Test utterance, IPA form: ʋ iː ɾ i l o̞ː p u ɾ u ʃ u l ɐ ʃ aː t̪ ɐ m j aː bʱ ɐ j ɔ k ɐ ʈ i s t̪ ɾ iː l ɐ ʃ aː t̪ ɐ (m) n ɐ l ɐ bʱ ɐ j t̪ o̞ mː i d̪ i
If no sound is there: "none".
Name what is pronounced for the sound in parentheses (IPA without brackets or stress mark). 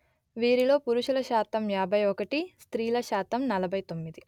m